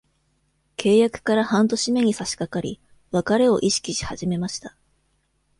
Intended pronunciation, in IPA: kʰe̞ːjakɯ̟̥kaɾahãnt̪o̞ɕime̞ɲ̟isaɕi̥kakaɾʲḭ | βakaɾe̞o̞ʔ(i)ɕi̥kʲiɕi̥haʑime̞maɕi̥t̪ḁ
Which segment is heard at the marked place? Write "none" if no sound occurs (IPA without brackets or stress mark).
i